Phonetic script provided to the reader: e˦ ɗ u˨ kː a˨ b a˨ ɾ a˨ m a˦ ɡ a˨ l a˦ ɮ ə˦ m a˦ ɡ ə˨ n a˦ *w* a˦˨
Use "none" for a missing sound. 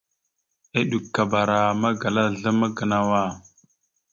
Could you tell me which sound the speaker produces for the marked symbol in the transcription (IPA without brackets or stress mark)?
w